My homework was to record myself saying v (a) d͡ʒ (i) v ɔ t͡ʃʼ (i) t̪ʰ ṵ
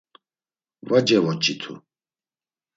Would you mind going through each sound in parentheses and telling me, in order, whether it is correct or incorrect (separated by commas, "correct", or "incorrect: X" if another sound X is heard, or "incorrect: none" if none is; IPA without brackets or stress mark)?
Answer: correct, incorrect: ɛ, correct